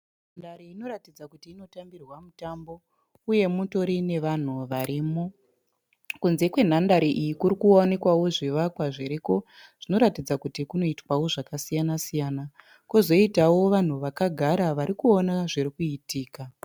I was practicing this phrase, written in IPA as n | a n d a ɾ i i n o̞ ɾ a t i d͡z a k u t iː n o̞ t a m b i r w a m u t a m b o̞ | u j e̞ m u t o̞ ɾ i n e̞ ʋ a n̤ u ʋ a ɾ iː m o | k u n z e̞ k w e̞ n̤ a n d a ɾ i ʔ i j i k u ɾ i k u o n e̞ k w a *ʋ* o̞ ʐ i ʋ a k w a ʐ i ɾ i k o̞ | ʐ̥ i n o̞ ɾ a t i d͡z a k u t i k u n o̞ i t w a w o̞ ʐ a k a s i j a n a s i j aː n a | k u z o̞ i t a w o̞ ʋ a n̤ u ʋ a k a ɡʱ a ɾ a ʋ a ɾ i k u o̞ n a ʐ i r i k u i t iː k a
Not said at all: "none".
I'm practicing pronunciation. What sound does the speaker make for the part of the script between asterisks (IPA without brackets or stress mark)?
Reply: w